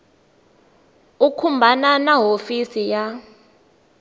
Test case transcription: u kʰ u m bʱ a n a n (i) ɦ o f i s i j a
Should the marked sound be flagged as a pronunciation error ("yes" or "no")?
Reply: yes